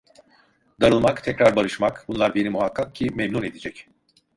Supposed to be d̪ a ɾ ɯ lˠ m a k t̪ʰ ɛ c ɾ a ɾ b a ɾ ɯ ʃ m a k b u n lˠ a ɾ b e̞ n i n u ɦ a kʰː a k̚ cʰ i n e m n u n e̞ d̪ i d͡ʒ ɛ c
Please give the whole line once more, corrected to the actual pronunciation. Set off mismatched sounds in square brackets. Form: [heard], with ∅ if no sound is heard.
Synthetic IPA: d̪ a ɾ ɯ lˠ m a k t̪ʰ ɛ c ɾ a ɾ b a ɾ ɯ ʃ m a k b u n lˠ a ɾ b e̞ n i [m] u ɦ a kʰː a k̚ cʰ i [m] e m n u n e̞ d̪ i d͡ʒ ɛ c